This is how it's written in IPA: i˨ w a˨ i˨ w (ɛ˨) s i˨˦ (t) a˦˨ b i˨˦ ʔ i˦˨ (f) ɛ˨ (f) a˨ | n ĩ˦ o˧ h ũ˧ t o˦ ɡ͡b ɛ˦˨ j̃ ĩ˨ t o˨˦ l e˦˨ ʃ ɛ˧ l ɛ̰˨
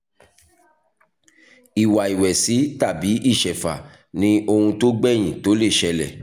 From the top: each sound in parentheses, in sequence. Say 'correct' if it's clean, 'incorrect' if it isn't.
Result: correct, correct, incorrect, correct

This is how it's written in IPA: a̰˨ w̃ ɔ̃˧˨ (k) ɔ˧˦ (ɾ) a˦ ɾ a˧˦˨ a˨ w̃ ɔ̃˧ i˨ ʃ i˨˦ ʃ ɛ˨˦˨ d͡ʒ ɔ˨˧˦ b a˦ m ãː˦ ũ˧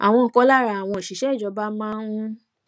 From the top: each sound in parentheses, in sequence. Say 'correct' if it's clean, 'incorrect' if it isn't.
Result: correct, incorrect

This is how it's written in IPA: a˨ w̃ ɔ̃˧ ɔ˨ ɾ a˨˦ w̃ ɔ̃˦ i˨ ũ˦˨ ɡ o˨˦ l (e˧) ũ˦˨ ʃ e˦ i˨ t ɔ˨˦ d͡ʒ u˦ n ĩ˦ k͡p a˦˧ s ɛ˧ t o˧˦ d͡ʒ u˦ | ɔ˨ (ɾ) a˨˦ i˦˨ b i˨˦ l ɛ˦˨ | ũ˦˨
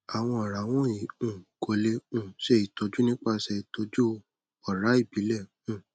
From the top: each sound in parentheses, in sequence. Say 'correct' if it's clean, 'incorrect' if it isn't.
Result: correct, correct

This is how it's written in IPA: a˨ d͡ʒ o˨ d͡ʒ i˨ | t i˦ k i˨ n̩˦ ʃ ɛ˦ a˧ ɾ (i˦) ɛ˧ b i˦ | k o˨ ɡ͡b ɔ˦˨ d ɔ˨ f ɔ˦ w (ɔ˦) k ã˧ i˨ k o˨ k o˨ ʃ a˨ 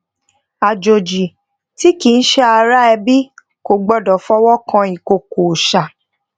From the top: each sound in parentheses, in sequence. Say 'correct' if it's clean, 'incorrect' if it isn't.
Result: incorrect, correct

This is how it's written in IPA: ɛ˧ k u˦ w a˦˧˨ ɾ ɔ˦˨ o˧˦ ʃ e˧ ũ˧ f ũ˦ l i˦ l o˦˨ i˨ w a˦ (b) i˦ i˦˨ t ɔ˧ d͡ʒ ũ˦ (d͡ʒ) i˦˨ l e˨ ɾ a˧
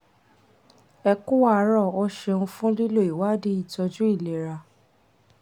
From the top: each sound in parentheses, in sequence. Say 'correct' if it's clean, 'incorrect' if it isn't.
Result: incorrect, incorrect

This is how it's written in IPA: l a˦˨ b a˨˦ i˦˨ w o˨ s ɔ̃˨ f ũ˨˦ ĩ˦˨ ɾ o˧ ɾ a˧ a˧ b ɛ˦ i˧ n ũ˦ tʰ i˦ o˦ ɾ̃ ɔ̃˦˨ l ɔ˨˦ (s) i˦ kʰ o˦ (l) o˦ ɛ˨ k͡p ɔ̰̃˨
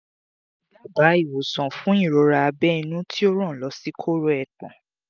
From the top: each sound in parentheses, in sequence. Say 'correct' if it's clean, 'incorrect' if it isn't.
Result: correct, incorrect

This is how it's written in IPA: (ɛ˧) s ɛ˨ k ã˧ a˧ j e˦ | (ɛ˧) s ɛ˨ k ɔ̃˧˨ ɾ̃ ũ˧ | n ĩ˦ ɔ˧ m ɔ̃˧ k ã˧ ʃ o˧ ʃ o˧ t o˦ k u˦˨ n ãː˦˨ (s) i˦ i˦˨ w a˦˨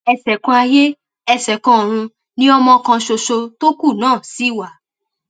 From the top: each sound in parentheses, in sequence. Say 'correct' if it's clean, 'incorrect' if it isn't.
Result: correct, correct, correct

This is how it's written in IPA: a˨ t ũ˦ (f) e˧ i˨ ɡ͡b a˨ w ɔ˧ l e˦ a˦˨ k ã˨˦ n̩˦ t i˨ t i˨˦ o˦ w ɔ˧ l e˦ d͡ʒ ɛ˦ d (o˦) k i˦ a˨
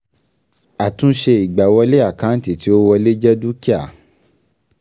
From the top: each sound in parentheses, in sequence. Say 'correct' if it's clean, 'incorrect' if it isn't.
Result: incorrect, incorrect

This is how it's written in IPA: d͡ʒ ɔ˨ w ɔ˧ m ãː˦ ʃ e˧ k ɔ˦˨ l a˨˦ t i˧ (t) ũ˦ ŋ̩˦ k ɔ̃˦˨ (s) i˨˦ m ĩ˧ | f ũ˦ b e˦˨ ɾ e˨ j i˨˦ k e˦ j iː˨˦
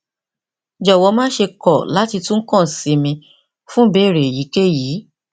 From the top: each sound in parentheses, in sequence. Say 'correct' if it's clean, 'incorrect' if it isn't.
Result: correct, correct

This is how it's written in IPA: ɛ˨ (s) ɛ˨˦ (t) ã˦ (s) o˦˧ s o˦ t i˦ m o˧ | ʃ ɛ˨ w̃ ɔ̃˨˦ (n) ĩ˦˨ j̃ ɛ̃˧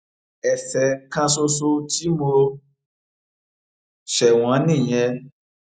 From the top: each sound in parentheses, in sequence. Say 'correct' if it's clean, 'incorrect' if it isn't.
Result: correct, incorrect, correct, correct

